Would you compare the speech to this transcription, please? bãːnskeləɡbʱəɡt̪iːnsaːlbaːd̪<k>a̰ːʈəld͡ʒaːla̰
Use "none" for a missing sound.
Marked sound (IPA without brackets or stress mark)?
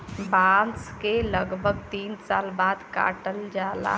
k